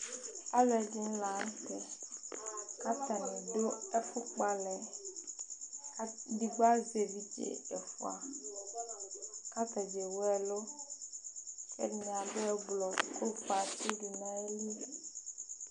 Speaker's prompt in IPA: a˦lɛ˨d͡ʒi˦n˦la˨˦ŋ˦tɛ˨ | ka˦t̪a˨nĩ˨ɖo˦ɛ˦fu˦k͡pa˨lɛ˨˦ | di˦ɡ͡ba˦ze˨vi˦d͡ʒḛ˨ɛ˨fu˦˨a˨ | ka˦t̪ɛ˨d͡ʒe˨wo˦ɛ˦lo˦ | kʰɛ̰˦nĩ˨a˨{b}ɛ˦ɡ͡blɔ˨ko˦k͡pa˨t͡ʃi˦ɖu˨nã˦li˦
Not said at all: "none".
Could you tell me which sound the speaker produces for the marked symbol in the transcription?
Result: b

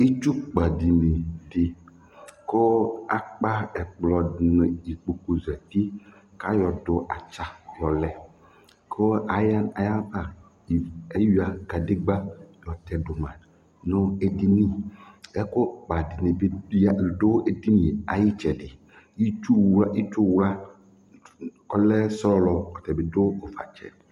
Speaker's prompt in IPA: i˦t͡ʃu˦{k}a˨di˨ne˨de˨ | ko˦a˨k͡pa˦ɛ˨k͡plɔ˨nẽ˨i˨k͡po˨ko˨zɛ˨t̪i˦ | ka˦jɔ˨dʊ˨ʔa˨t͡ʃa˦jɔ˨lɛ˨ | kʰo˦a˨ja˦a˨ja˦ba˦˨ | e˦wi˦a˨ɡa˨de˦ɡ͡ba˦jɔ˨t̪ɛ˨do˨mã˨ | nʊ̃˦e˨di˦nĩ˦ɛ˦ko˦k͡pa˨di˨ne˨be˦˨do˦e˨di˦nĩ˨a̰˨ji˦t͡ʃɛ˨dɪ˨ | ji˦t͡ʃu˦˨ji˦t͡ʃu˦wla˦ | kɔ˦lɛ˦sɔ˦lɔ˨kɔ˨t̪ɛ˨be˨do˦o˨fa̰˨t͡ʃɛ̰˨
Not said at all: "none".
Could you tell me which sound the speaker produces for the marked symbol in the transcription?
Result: k͡p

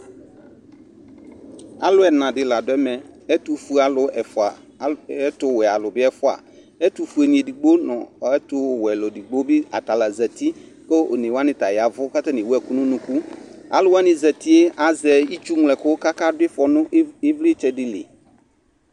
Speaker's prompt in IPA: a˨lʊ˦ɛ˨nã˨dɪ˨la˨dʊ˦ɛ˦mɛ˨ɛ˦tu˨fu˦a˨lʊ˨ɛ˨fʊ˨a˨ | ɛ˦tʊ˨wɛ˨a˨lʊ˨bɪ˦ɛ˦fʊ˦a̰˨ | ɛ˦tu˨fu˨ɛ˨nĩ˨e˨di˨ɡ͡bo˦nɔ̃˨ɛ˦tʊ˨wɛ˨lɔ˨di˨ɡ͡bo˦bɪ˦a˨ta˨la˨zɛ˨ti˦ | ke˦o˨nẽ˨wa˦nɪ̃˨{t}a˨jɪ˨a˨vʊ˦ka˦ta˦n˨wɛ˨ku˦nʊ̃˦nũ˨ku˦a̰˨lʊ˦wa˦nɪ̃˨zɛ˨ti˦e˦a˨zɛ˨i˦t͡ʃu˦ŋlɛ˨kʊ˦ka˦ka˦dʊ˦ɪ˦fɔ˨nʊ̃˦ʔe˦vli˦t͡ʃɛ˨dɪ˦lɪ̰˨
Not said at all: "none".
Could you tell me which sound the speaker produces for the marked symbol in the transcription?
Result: t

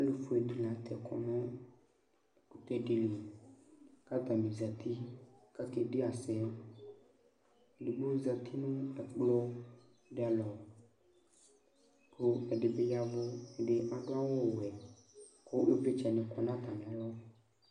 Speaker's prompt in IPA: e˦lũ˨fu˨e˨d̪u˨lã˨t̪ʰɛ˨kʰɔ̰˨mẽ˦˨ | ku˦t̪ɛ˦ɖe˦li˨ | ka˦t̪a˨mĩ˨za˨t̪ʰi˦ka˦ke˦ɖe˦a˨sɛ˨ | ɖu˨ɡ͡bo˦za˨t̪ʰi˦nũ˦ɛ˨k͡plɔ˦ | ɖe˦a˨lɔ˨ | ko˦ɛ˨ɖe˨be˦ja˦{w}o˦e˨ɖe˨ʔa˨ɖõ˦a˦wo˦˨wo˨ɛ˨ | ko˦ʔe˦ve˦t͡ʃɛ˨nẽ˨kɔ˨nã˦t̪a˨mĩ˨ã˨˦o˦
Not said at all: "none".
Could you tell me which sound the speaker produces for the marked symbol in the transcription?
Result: v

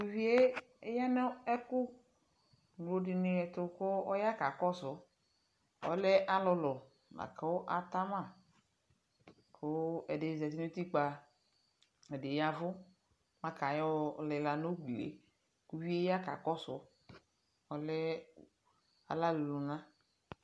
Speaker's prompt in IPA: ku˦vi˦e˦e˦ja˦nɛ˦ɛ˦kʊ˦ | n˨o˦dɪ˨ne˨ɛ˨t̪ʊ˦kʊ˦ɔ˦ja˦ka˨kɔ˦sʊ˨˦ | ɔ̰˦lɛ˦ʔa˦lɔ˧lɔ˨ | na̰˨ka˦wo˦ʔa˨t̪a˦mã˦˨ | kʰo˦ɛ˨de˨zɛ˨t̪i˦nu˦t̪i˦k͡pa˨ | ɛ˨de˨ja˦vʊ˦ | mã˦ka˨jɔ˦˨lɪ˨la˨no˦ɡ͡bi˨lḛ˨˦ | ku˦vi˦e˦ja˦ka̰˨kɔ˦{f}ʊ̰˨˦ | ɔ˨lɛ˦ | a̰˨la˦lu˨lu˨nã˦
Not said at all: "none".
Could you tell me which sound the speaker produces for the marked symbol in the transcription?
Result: s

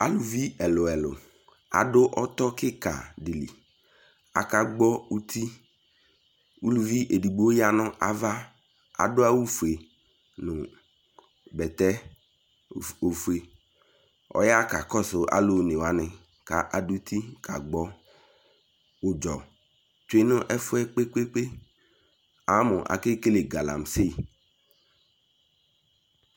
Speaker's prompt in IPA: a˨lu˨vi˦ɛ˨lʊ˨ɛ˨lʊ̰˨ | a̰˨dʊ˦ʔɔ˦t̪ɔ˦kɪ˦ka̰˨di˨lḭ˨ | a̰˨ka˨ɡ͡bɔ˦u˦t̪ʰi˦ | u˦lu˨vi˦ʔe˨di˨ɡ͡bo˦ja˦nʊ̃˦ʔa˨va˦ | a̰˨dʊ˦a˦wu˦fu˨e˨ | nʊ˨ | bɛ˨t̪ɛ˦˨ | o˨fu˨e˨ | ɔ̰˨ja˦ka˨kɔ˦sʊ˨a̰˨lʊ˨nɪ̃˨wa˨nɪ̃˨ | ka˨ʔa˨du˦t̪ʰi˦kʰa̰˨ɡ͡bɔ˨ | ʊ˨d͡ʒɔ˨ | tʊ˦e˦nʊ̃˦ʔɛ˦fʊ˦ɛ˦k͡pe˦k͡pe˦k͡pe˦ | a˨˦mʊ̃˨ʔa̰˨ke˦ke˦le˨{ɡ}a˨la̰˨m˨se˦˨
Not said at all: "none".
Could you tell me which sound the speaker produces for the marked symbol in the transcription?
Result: ɡ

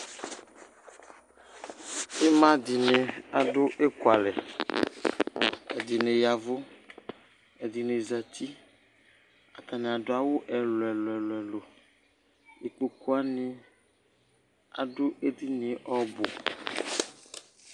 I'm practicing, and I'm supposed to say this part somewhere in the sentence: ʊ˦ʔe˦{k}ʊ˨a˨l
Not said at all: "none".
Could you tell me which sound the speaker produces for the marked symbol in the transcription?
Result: k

